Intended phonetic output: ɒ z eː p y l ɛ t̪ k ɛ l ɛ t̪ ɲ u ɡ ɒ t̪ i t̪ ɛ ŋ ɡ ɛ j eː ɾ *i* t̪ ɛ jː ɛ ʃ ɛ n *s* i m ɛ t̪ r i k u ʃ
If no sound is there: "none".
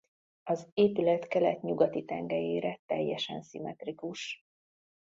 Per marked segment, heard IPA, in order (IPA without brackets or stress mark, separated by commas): ɛ, s